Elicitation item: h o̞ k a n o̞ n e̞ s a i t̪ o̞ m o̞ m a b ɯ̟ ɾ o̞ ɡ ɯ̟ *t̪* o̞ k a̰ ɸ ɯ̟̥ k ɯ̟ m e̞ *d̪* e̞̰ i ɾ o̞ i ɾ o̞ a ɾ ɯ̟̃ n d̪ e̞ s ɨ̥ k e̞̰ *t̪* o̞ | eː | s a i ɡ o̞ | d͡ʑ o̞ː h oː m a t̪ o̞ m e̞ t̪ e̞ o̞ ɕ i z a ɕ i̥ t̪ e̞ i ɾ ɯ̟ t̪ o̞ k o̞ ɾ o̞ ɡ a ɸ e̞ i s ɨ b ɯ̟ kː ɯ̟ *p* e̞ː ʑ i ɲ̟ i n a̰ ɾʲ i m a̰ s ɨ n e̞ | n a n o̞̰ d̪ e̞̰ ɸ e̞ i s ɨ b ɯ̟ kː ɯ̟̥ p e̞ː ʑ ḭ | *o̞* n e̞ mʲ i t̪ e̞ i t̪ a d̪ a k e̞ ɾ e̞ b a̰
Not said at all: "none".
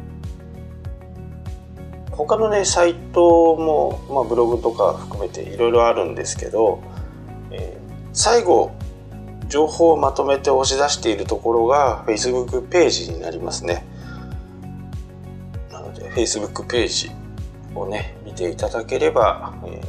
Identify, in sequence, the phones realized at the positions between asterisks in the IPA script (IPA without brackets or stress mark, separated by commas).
t̪, t̪, d̪, p, o̞